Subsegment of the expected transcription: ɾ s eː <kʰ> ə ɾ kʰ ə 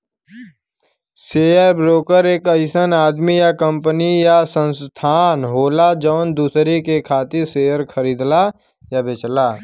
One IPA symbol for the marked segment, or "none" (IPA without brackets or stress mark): none